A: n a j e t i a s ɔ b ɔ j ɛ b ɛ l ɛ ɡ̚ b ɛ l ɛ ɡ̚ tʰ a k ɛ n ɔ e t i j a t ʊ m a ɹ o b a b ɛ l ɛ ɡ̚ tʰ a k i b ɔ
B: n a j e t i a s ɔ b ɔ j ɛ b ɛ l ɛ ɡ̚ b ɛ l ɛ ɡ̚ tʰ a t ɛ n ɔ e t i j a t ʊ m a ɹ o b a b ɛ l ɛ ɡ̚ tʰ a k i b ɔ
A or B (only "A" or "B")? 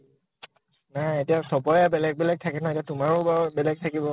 A